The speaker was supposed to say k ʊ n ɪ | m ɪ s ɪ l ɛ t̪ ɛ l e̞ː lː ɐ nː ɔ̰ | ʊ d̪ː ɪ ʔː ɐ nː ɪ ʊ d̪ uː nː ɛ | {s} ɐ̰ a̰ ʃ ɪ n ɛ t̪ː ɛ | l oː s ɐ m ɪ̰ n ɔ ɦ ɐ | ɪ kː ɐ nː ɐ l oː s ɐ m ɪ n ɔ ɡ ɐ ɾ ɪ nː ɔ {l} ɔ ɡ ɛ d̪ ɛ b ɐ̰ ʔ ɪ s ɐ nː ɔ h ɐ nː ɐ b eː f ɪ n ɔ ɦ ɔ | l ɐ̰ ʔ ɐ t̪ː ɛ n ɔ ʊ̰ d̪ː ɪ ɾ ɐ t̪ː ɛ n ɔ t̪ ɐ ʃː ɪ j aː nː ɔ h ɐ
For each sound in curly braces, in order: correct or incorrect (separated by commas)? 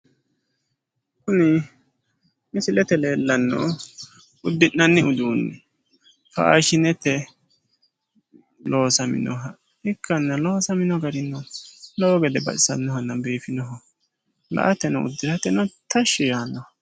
incorrect, correct